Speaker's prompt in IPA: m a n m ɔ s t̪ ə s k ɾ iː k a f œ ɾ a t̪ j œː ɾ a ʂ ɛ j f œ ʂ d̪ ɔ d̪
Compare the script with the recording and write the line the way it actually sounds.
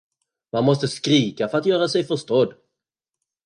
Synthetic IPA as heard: m a n m ɔ s t̪ ə s k ɾ iː k a f œ ɾ a t̪ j œː ɾ a s ɛ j f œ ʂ t̪ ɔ d̪